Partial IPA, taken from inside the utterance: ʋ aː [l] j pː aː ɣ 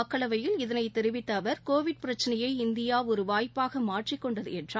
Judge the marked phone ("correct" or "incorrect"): incorrect